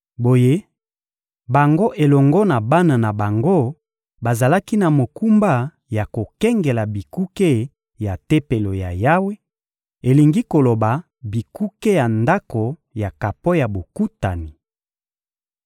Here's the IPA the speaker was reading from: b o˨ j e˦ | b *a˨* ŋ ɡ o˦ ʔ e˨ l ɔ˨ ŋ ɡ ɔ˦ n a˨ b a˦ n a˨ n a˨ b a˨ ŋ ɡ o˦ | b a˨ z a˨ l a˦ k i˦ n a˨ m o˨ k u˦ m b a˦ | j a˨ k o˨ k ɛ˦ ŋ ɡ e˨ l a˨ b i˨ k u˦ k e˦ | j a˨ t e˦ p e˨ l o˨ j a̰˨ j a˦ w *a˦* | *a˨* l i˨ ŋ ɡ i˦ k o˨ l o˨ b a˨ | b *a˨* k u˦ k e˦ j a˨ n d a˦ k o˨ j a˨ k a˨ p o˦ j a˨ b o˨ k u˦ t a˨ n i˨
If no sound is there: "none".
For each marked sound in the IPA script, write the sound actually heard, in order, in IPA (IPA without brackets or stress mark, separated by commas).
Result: a˨, e˦, e˨, i˨